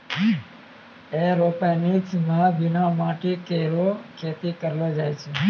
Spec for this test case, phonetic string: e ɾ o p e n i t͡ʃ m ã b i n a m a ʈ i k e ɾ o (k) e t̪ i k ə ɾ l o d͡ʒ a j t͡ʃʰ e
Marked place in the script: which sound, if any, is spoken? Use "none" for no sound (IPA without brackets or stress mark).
kʰ